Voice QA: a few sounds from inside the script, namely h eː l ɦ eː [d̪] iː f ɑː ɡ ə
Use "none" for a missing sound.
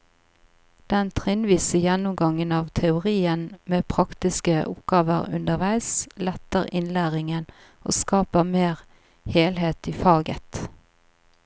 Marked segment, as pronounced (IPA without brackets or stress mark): t̪